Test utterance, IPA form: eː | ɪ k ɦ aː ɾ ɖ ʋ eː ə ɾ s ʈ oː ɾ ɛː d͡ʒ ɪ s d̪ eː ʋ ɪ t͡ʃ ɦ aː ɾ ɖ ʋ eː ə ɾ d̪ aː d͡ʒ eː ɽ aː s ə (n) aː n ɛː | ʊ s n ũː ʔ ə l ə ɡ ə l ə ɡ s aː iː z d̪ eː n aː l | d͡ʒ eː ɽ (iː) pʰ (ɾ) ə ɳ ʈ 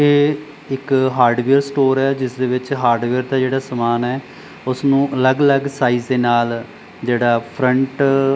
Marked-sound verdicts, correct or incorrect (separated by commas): incorrect, incorrect, correct